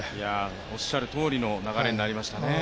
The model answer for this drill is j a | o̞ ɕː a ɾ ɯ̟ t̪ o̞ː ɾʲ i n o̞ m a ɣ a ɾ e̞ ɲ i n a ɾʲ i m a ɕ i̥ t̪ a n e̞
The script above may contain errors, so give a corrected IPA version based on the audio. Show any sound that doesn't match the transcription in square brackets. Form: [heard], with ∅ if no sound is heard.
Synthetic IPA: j a | o̞ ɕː a ɾ ɯ̟ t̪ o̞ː ɾʲ i n o̞ [n] a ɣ a ɾ e̞ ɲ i n a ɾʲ i m a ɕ i̥ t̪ a n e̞